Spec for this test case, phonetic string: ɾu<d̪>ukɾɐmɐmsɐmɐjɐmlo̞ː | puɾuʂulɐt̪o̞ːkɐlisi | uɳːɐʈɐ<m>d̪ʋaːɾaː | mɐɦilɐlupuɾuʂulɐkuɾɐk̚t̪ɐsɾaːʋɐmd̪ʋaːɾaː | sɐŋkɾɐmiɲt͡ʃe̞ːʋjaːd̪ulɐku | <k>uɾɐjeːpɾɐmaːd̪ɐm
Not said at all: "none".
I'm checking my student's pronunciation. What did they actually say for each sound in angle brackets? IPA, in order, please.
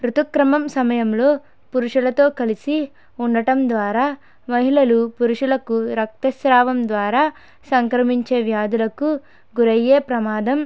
t̪, m, ɡ

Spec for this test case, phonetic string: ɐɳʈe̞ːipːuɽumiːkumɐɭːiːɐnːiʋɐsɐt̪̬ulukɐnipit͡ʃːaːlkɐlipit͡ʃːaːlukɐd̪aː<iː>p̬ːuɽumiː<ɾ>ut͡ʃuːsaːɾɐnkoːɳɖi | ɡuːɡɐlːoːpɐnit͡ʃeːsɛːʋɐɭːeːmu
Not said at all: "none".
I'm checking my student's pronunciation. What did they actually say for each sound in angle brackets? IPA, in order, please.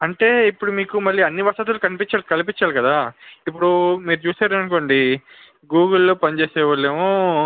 i, ɾ

